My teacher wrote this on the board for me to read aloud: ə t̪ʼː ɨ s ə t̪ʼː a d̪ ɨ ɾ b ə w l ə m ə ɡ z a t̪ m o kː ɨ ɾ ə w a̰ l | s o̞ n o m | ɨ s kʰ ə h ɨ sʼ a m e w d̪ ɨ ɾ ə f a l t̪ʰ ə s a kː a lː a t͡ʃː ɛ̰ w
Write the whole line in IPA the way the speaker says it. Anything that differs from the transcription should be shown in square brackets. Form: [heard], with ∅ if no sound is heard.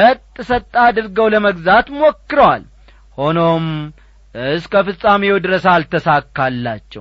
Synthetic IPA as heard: ə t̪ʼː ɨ s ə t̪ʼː a d̪ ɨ ɾ [ɡ] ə w l ə m ə ɡ z a t̪ m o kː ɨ ɾ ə w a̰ l | [h] o̞ n o m | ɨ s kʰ ə [f] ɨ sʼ a m e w d̪ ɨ ɾ ə [s] a l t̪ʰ ə s a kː a lː a t͡ʃː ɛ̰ w